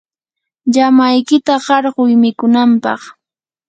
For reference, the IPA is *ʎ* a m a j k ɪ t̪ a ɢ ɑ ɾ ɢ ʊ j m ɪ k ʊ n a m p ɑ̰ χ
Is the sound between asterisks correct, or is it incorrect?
correct